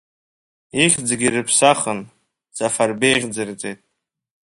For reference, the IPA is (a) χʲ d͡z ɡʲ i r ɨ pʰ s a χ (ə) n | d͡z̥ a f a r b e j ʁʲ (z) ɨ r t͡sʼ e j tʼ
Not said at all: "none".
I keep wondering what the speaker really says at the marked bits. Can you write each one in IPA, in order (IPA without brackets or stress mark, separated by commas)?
i, ə, d͡z